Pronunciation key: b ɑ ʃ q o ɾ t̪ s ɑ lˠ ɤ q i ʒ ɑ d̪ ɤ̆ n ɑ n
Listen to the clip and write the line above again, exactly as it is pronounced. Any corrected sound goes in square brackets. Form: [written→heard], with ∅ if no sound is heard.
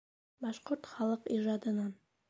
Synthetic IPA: b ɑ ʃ q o ɾ t̪ [s→χ] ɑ lˠ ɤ q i ʒ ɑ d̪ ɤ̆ n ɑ n